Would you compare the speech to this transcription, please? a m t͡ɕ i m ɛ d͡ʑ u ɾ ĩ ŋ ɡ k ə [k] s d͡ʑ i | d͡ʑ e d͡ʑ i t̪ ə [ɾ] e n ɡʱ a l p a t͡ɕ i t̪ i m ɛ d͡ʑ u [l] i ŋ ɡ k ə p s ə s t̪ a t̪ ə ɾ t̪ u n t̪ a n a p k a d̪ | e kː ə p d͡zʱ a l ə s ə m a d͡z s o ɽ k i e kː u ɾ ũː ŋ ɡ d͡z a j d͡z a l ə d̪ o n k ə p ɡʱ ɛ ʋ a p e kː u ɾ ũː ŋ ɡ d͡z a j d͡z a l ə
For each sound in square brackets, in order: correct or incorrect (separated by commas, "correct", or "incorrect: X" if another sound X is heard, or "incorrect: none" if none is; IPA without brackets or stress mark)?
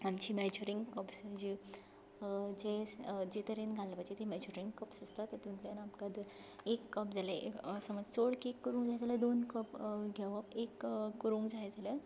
incorrect: p, correct, incorrect: ɾ